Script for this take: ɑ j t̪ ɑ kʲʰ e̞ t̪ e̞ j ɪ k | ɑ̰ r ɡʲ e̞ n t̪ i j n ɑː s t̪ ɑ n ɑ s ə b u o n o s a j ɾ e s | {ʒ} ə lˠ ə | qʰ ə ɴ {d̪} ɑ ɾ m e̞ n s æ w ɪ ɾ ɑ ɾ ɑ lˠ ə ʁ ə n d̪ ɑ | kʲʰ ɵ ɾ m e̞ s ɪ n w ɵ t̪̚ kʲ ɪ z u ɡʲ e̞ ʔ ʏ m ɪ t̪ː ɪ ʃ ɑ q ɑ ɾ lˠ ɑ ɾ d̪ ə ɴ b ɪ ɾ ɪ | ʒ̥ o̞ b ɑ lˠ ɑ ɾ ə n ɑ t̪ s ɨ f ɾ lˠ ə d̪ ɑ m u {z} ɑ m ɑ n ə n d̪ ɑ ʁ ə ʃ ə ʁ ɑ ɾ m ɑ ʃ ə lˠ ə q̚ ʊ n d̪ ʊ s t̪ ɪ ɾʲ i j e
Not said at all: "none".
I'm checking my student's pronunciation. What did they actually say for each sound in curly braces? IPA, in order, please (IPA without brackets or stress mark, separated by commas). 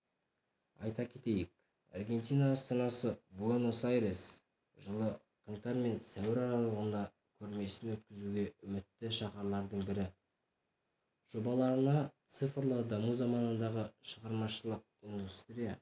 ʒ, t̪, z